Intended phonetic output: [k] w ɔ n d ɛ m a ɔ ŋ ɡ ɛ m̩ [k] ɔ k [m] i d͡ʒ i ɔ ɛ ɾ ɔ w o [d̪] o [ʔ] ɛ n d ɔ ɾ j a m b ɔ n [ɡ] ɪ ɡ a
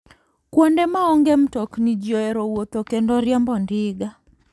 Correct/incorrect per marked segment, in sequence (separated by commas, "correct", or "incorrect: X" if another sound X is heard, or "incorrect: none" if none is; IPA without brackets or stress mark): correct, incorrect: t, incorrect: n, incorrect: t̪, incorrect: k, incorrect: d